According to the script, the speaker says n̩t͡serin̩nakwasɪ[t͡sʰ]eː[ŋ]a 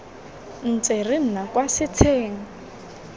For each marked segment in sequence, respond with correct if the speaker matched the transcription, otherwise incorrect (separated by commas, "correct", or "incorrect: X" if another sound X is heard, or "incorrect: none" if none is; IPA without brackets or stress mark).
correct, correct